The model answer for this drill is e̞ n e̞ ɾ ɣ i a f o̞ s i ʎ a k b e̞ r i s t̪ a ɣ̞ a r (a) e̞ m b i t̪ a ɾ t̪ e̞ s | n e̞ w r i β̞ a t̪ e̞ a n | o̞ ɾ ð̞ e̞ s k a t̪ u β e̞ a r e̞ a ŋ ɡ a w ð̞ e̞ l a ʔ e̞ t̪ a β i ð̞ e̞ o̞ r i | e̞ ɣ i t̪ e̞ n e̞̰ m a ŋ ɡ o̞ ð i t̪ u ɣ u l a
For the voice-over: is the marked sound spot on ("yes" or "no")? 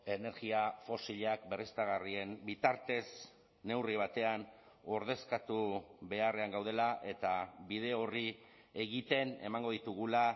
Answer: no